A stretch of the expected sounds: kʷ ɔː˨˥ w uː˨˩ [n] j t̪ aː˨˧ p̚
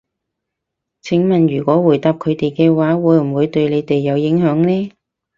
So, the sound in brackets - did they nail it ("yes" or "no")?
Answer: no